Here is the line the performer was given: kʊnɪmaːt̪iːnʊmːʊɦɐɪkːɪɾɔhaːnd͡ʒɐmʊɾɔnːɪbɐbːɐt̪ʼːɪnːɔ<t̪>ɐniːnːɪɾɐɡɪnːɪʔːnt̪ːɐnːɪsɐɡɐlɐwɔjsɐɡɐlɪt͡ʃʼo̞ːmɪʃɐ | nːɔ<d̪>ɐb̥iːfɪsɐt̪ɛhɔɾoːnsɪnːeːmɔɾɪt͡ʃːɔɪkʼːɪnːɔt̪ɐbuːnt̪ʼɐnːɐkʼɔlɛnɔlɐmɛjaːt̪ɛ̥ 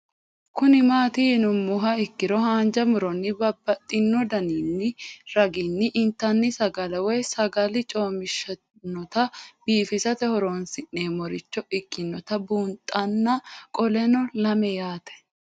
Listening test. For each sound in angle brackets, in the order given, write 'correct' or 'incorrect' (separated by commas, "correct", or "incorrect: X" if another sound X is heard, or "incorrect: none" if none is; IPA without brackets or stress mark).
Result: incorrect: d̪, incorrect: t̪